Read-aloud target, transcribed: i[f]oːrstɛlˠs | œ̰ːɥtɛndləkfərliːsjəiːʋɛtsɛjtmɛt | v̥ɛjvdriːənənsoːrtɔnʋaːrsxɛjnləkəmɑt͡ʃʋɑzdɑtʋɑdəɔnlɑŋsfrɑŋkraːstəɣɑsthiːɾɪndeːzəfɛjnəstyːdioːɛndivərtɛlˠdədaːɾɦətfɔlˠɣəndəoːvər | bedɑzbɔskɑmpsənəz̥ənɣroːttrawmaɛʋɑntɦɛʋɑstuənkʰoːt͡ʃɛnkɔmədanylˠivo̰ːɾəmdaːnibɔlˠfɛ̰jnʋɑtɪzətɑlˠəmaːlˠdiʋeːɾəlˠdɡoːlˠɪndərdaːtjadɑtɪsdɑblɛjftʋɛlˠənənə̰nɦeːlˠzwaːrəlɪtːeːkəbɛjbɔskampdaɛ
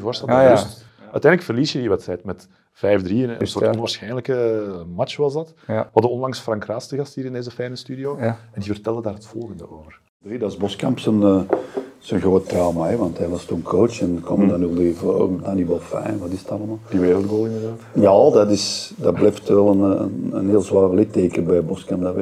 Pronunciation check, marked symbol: incorrect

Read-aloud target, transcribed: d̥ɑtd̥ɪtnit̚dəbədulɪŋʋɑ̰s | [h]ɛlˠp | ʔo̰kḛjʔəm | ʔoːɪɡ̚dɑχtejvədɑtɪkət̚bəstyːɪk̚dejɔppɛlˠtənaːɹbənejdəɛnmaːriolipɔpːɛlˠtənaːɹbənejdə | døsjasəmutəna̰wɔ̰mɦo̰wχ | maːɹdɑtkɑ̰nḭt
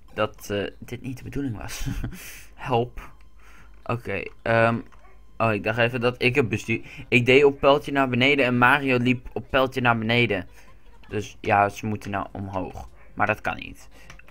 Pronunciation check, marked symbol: correct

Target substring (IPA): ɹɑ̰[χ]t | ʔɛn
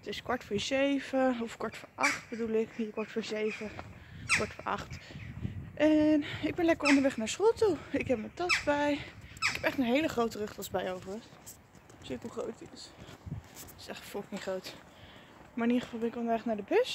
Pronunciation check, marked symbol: correct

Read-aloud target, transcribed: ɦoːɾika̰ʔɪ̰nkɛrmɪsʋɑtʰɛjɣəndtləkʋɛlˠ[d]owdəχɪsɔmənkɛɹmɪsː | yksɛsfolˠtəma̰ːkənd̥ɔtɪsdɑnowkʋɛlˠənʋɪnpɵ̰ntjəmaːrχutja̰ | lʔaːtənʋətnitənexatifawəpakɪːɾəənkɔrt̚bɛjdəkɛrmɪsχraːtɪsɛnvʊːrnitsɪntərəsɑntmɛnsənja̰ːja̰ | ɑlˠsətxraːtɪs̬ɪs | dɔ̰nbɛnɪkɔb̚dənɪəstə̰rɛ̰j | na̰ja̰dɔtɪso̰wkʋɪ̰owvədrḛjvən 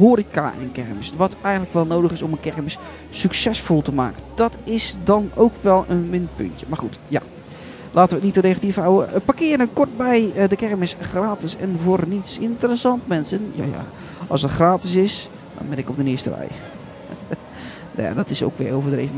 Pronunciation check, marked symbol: incorrect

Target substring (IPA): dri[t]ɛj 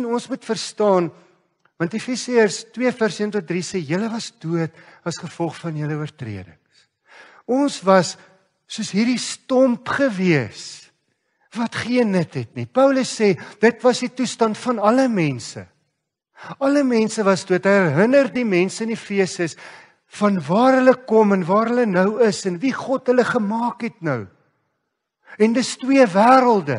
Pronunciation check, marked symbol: incorrect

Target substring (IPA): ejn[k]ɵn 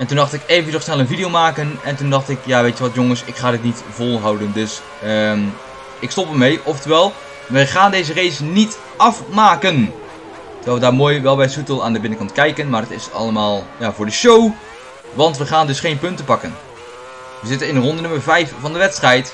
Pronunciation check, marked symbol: incorrect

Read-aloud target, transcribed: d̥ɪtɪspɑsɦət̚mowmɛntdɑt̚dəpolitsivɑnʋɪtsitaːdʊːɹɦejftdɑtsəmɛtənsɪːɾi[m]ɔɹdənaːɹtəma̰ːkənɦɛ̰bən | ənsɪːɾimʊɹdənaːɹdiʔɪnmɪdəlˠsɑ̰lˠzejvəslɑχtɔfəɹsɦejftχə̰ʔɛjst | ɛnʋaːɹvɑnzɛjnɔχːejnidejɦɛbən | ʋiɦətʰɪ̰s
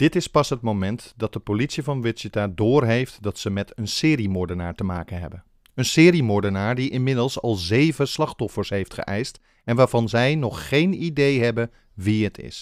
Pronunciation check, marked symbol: correct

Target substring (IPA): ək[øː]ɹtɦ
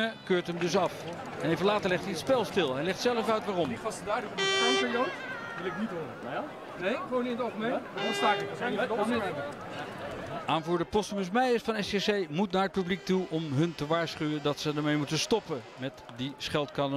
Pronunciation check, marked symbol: correct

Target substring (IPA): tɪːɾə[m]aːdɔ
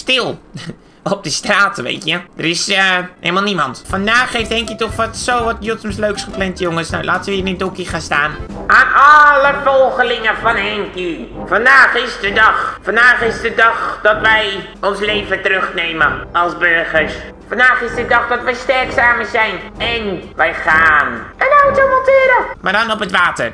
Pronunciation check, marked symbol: correct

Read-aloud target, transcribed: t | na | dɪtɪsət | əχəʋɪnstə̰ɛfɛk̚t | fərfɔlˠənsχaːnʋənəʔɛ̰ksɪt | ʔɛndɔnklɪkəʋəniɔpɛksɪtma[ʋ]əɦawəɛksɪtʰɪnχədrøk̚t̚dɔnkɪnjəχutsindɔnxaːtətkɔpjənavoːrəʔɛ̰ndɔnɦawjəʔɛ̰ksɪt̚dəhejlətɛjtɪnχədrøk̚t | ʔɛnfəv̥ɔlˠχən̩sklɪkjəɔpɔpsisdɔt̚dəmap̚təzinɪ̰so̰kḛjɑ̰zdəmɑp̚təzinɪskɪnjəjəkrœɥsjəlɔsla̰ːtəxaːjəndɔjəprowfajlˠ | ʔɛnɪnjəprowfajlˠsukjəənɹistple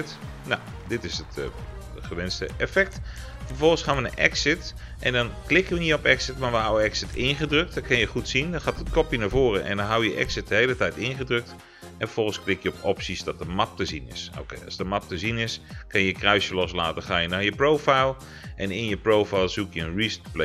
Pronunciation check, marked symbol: correct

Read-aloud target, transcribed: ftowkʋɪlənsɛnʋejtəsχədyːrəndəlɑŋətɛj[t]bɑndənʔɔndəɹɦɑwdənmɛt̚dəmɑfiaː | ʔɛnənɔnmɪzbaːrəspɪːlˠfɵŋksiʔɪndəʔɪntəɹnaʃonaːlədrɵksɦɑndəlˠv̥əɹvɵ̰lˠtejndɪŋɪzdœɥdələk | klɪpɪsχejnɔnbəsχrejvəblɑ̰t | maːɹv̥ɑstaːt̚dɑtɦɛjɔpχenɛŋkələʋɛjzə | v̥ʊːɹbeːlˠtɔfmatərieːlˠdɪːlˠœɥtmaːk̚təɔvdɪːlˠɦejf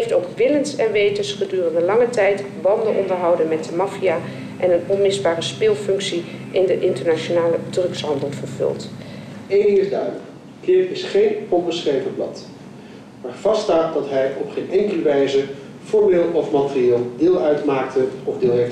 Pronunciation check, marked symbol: correct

